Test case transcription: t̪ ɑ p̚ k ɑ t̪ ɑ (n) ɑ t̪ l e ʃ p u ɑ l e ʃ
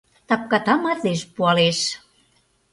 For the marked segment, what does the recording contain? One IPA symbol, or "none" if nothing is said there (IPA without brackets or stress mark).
m